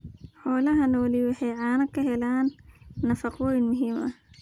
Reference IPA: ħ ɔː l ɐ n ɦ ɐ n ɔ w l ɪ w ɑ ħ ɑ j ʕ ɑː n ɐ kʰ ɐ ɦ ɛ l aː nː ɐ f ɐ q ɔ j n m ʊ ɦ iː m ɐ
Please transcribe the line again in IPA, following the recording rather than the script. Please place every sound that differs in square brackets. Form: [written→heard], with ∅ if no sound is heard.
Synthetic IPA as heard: ħ ɔː l ɐ [n→∅] ɦ ɐ n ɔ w l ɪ w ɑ ħ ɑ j ʕ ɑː n ɐ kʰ ɐ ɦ ɛ l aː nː ɐ f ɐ q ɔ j n m ʊ ɦ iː m ɐ